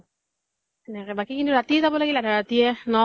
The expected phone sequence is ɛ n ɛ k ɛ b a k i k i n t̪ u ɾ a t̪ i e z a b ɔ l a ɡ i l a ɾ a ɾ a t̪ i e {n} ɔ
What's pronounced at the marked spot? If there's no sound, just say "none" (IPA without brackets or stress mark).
n